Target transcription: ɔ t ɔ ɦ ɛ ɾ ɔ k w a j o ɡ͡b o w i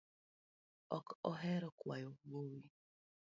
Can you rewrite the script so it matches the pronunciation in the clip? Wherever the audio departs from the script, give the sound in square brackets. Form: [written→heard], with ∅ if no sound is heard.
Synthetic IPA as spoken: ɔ [t→k] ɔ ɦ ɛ ɾ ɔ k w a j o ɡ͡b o w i